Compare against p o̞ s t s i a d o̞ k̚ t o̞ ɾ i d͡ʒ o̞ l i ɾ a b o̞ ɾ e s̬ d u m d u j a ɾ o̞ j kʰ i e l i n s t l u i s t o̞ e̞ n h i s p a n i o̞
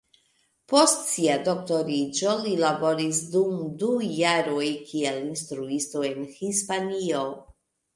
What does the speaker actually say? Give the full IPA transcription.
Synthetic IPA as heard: p o̞ s t s i a d o̞ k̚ t o̞ ɾ i d͡ʒ o̞ l i l a b o̞ ɾ i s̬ d u m d u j a ɾ o̞ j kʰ i e l i n s t ɾ u i s t o̞ e̞ n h i s p a n i o̞

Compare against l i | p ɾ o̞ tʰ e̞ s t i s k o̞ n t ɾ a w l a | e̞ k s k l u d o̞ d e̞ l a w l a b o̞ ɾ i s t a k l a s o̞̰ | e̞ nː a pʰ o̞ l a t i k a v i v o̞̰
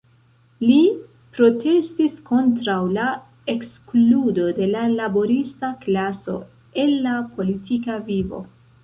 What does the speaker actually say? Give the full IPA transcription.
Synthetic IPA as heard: l i | p ɾ o̞ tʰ e̞ s t i s k o̞ n t ɾ a w l a | e̞ k s k l u d o̞ d e̞ l a l a b o̞ ɾ i s t a k l a s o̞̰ | e̞ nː a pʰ o̞ l i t i k a v i v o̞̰

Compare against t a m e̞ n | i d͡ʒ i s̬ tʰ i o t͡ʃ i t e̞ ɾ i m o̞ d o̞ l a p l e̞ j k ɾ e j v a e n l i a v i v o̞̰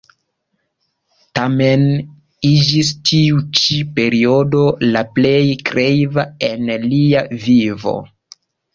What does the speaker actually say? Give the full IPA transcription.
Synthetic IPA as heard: t a m e̞ n | i d͡ʒ i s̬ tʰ i u t͡ʃ i p e̞ ɾ i o̞ d o̞ l a p l e̞ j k ɾ e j v a e n l i a v i v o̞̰

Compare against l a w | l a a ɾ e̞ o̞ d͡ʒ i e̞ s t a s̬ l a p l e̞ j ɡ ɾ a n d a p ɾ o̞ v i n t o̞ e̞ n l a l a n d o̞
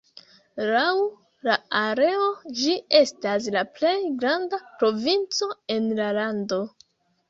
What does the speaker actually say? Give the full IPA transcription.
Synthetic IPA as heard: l a w | l a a ɾ e̞ o̞ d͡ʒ i e̞ s t a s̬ l a p l e̞ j ɡ ɾ a n d a p ɾ o̞ v i n t͡s o̞ e̞ n l a l a n d o̞

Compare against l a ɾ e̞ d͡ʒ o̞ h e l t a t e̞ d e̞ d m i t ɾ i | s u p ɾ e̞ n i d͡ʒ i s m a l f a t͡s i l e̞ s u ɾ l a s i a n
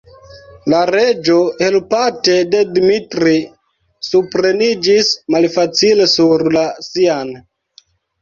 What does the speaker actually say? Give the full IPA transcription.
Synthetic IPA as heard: l a ɾ e̞ d͡ʒ o̞ h e l p a t e̞ d e̞ d m i t ɾ i | s u p ɾ e̞ n i d͡ʒ i s m a l f a t͡s i l e̞ s u ɾ l a s i a n

